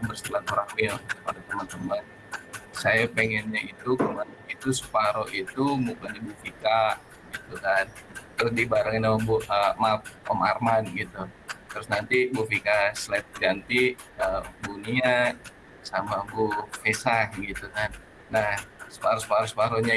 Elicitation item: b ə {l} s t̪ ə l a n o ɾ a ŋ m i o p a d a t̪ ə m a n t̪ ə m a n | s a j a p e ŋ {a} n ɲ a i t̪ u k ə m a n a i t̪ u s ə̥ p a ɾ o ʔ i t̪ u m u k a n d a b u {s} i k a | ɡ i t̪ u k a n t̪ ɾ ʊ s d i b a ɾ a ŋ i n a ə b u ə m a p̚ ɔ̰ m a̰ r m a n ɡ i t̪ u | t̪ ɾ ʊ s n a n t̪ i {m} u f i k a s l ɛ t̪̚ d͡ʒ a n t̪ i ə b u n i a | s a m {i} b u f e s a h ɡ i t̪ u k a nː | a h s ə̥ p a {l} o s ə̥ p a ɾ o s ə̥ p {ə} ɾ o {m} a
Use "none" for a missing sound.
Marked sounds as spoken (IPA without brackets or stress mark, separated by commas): r, ɛ, f, b, a, ɾ, a, ɲ